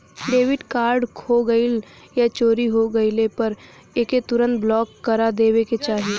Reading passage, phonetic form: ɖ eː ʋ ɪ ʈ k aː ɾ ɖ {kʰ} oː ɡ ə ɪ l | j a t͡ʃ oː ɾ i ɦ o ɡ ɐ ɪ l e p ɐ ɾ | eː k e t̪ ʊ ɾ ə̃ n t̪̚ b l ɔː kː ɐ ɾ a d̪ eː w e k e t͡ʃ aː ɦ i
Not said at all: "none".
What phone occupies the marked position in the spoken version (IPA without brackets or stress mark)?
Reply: kʰ